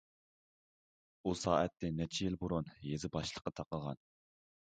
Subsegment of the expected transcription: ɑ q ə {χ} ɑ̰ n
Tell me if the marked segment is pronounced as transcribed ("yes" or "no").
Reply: no